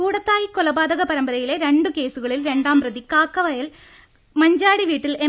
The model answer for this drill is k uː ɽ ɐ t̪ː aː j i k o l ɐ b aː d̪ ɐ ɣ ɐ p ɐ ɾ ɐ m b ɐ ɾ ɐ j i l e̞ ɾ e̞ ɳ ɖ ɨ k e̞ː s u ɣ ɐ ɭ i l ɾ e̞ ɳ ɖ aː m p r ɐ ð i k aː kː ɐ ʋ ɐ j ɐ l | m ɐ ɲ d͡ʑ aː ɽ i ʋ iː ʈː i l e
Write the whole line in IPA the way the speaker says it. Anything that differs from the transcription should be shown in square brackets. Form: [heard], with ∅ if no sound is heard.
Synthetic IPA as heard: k uː ɽ ɐ t̪ː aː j i k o l ɐ b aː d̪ ɐ ɣ ɐ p ɐ ɾ ɐ m b ɐ ɾ ɐ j i l e̞ ɾ e̞ ɳ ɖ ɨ k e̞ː s u ɣ ɐ ɭ i l ɾ e̞ ɳ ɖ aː m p r ɐ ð i k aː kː ɐ ʋ ɐ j ɐ l | m ɐ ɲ d͡ʑ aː ɽ i ʋ iː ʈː i l e

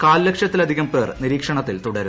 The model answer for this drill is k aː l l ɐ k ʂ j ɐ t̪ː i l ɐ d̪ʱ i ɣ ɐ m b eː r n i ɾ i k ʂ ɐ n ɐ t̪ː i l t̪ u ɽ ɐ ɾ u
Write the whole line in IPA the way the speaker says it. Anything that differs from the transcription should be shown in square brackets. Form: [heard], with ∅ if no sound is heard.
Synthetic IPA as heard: k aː l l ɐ k ʂ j ɐ t̪ː i l ɐ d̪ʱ i ɣ ɐ m [p] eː r n i ɾ [iː] k ʂ ɐ [ɳ] ɐ t̪ː i l t̪ u ɽ ɐ ɾ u

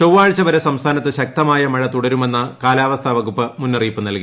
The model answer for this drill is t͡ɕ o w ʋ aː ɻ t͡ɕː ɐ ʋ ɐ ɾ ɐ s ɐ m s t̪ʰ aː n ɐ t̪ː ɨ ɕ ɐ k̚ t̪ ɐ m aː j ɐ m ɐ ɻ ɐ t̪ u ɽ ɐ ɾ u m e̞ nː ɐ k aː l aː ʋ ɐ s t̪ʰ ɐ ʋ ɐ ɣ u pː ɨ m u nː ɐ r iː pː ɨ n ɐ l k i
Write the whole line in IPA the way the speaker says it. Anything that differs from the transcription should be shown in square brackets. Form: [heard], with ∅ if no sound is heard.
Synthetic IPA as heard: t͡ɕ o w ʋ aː ɻ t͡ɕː ɐ ʋ ɐ ɾ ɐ s ɐ m s t̪ʰ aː n ɐ t̪ː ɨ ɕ ɐ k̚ t̪ ɐ m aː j ɐ m ɐ ɻ ɐ t̪ u ɽ ɐ ɾ u m e̞ nː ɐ k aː l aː ʋ ɐ s t̪ʰ ɐ ʋ ɐ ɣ u pː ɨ m u nː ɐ r iː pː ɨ n ɐ l k i

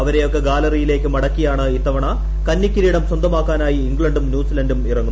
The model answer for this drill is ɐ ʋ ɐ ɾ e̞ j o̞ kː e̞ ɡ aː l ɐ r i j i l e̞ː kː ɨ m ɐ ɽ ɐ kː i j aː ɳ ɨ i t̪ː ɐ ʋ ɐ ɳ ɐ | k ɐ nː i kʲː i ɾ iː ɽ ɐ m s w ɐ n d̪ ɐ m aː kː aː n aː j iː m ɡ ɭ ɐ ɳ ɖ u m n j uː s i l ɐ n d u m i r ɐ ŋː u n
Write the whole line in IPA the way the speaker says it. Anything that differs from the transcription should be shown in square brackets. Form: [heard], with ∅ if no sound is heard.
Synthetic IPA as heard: ɐ ʋ ɐ ɾ e̞ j o̞ kː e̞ ɡ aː l ɐ r i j i l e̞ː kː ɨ m ɐ ɽ ɐ kː i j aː ɳ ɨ i t̪ː ɐ ʋ ɐ ɳ ɐ | k ɐ nː i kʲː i ɾ iː ɽ ɐ m s w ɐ n d̪ ɐ m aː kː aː n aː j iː [ŋ] ɡ ɭ ɐ ɳ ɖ u m n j uː s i l ɐ n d u m i r ɐ ŋː u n

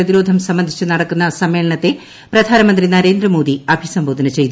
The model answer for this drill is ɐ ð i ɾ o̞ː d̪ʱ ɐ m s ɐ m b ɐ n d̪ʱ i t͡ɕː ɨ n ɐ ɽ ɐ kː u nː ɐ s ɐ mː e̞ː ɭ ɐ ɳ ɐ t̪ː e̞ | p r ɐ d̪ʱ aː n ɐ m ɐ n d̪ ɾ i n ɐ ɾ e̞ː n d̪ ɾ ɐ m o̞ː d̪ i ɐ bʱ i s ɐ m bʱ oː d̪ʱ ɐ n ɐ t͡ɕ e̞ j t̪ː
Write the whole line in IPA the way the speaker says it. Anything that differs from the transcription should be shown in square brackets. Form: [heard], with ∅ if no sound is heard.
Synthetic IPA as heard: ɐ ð i ɾ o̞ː d̪ʱ ɐ m s ɐ m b ɐ n d̪ʱ i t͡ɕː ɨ n ɐ ɽ ɐ kː u nː ɐ s ɐ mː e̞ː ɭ ɐ ɳ ɐ t̪ː e̞ | p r ɐ d̪ʱ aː n ɐ m ɐ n d̪ [r] i n ɐ ɾ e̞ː n d̪ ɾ ɐ m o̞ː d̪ i ɐ bʱ i s ɐ m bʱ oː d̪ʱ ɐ n ɐ t͡ɕ e̞ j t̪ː

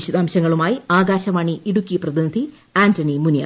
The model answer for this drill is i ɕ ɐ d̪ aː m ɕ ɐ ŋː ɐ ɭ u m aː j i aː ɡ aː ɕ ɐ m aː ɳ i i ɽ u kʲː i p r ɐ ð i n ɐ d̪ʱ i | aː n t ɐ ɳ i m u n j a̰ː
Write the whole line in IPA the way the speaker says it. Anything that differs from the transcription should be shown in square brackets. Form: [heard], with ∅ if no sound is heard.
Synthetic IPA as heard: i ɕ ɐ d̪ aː m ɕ ɐ ŋː ɐ ɭ u m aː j i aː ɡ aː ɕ ɐ m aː ɳ i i ɽ u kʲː i p r ɐ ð i n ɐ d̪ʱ i | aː n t ɐ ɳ i m u n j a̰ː

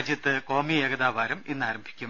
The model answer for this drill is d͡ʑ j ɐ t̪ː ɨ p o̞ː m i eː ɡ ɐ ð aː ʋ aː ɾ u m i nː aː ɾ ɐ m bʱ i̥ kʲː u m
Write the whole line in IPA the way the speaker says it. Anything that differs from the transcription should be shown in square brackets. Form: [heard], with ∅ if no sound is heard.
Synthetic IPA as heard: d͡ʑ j ɐ t̪ː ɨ [k] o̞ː m i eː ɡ ɐ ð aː ʋ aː ɾ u m i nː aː ɾ ɐ m bʱ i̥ kʲː u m

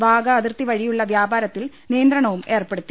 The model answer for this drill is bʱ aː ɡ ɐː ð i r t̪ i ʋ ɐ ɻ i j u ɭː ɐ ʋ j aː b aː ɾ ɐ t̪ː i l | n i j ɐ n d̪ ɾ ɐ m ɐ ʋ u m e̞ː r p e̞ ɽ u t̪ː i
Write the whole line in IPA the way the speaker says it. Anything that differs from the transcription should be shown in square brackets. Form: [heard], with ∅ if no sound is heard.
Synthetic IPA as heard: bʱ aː ɡ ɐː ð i r t̪ i ʋ ɐ ɻ i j u ɭː ɐ ʋ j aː b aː ɾ ɐ t̪ː i l | n i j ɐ n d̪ ɾ ɐ [ɳ] ɐ ʋ u m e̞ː r p e̞ ɽ u t̪ː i

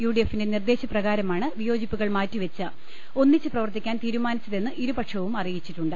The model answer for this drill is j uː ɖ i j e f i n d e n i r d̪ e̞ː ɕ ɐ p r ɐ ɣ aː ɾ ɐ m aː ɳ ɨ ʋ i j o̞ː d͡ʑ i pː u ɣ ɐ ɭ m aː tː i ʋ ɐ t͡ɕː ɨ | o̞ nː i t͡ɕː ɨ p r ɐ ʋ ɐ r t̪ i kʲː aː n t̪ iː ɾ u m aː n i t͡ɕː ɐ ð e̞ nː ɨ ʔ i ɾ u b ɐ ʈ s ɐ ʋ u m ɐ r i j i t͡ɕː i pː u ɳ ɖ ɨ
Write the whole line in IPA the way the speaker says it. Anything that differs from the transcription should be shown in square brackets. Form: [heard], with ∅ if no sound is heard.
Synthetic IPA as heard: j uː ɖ i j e f i n d e n i r d̪ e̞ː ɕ ɐ p r ɐ ɣ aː ɾ ɐ m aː ɳ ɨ ʋ i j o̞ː d͡ʑ i pː u ɣ ɐ ɭ m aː tː i ʋ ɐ t͡ɕː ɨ | o̞ nː i t͡ɕː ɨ p r ɐ ʋ ɐ r t̪ i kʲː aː n t̪ iː ɾ u m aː n i t͡ɕː ɐ ð e̞ nː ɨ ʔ i ɾ u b ɐ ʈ [ʂ] ɐ ʋ u m ɐ r i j i t͡ɕː i [ʈː] u ɳ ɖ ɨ

